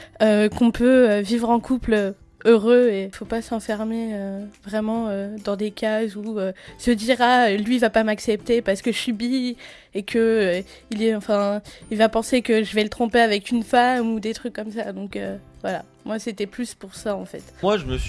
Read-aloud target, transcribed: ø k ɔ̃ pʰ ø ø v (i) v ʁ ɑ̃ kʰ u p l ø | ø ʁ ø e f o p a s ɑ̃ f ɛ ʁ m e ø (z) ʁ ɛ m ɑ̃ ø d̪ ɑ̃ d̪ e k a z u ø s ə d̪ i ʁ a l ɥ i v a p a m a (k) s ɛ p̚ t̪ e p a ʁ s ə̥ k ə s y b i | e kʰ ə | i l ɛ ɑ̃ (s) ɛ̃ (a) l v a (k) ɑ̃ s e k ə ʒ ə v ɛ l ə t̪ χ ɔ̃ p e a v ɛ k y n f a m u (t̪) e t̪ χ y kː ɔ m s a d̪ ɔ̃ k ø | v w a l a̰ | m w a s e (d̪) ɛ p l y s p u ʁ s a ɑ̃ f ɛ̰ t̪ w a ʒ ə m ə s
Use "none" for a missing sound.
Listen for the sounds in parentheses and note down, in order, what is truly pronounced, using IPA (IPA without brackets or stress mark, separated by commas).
i, v, k, f, i, p, d̪, t̪